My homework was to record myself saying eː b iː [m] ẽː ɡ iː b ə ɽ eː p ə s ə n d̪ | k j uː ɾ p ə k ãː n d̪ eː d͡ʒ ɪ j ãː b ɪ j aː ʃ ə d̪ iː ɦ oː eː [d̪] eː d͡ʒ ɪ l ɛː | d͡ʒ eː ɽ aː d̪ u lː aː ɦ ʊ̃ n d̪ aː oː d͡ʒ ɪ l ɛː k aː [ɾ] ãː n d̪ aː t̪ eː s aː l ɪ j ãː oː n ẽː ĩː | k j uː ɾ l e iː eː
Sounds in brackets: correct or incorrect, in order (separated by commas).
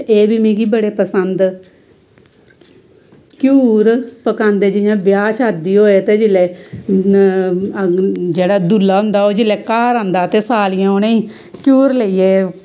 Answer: correct, incorrect, correct